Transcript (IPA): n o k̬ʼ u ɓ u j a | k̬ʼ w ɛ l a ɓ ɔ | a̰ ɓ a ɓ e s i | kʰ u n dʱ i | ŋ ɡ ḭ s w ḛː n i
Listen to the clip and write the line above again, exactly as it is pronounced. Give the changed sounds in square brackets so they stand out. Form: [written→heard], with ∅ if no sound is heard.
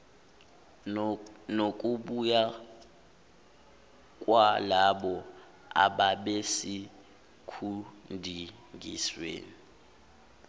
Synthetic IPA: n o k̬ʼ u ɓ u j a | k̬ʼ w [ɛ→a] l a ɓ ɔ | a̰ ɓ a ɓ e s i | kʰ u n dʱ i | ŋ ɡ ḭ s w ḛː n i